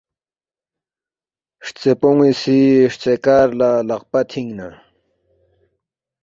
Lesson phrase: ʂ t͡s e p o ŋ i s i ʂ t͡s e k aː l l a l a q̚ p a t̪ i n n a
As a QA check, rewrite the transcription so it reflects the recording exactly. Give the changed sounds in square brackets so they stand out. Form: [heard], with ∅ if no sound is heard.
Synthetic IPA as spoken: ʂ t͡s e p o ŋ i s i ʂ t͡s e k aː [ɾ] l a l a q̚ p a [t̪ʰ] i [ŋ] n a